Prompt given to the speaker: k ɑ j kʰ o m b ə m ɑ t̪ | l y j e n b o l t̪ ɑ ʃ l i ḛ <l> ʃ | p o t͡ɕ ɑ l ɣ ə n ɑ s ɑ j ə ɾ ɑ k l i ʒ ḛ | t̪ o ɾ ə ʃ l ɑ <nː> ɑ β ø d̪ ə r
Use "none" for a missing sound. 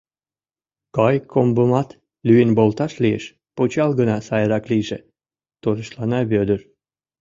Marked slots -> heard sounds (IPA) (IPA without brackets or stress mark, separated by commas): none, n